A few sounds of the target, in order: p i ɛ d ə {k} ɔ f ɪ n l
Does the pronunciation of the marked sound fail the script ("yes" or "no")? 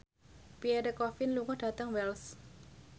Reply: no